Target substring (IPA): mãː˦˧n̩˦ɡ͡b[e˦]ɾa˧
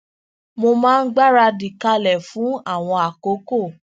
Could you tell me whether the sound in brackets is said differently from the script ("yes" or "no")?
yes